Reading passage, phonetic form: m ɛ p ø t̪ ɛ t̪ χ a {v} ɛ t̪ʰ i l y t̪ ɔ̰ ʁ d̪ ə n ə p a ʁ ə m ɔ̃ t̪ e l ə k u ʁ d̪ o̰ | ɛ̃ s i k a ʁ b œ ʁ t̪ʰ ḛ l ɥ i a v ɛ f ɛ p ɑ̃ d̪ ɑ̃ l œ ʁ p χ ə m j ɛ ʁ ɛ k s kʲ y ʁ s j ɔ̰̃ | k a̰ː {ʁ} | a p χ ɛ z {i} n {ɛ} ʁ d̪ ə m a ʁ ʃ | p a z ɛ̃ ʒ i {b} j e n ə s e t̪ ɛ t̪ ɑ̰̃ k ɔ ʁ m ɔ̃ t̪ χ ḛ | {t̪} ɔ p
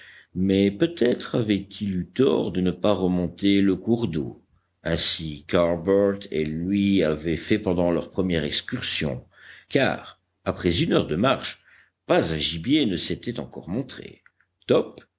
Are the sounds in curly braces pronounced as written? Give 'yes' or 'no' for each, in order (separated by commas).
yes, yes, no, no, yes, yes